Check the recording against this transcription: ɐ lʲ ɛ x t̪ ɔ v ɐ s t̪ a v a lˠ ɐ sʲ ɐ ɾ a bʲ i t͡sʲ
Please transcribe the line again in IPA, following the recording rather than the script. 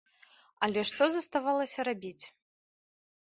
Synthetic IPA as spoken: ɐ lʲ ɛ ʂ t̪ ɔ z ɐ s t̪ a v a lˠ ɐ sʲ ɐ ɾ a bʲ i t͡sʲ